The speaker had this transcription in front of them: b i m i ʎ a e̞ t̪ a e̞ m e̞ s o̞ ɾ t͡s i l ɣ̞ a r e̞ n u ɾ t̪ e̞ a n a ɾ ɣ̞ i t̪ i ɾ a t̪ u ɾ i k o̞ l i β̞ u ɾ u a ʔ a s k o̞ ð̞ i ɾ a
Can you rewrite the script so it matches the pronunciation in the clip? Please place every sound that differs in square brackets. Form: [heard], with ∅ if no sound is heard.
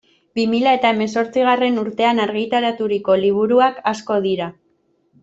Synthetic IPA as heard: b i m i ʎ a e̞ t̪ a e̞ m e̞ s o̞ ɾ t͡s i [∅] ɣ̞ a r e̞ n u ɾ t̪ e̞ a n a ɾ ɣ̞ i t̪ [a] ɾ a t̪ u ɾ i k o̞ l i β̞ u ɾ u a [k] a s k o̞ ð̞ i ɾ a